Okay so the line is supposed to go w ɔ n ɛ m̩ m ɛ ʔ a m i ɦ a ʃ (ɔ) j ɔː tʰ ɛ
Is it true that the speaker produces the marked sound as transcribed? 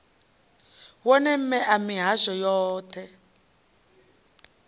yes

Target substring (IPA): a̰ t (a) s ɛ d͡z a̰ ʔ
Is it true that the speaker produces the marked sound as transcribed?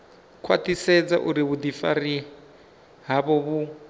no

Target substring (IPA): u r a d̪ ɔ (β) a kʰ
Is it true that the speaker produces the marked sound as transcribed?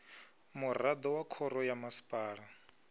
no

